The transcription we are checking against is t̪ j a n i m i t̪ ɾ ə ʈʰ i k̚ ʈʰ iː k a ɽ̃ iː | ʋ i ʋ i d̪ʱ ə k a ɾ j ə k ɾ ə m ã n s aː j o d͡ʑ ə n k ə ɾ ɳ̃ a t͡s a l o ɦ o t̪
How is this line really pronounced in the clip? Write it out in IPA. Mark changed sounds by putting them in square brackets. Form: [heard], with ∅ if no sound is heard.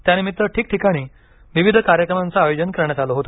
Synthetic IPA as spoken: t̪ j a n i m i t̪ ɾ ə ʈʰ [iː] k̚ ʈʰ [i] k a ɽ̃ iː | ʋ i ʋ i d̪ʱ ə k a ɾ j ə k ɾ ə m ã n [t͡s] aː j o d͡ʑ ə n k ə ɾ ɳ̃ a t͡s a l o ɦ o t̪